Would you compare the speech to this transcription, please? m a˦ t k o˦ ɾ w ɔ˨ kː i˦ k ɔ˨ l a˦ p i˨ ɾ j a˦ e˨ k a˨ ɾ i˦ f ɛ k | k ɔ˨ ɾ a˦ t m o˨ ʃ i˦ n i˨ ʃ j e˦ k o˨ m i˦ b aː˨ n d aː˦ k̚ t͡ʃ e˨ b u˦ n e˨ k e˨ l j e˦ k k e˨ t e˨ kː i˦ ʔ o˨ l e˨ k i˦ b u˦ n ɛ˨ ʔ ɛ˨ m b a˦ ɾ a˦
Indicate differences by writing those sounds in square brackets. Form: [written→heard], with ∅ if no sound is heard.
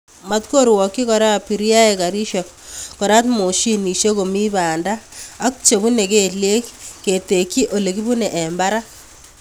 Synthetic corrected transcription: m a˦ t k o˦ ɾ w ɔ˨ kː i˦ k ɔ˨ [l→ɾ] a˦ p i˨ ɾ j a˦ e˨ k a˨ ɾ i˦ [f→ʃ] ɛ k | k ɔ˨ ɾ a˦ t m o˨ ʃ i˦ n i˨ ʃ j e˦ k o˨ m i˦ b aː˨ n d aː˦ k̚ t͡ʃ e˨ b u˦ n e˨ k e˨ l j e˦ k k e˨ t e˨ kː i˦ ʔ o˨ l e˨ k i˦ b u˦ n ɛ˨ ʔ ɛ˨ m b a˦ ɾ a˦